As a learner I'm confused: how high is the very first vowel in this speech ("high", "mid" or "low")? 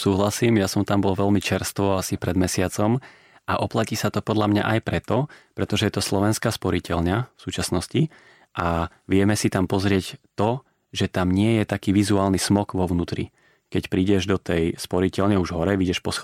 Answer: high